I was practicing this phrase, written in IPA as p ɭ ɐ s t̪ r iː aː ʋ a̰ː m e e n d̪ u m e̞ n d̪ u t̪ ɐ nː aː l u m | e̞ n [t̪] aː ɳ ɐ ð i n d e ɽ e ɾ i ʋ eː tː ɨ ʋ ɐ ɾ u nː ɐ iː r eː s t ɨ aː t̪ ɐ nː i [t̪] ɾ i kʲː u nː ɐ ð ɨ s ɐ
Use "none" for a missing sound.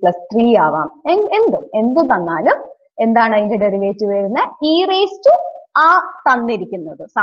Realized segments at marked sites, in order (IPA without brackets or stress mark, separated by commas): d̪, none